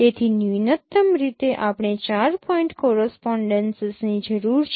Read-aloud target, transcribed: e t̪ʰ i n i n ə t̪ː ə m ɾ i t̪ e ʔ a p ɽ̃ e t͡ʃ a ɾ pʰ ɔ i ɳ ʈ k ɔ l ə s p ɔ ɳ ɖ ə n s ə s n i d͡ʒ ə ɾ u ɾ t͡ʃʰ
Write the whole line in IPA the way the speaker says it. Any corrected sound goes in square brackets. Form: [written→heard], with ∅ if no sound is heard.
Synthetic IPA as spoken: e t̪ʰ i n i n ə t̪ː ə m ɾ i t̪ e ʔ a p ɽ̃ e t͡ʃ a ɾ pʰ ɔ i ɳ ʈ k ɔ [l→ɾ] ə s p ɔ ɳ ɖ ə n s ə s n i d͡ʒ ə ɾ u ɾ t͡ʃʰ